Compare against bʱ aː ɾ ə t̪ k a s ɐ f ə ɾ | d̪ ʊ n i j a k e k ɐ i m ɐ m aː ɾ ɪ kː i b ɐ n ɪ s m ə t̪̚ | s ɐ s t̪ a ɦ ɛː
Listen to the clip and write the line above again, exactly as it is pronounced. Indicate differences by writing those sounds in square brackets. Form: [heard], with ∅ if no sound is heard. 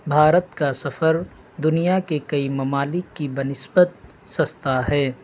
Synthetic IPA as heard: bʱ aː ɾ ə t̪ k a s ɐ f ə ɾ | d̪ ʊ n i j a k e k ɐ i m ɐ m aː [l] ɪ kː i b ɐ n ɪ s [b] ə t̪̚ | s ɐ s t̪ a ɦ ɛː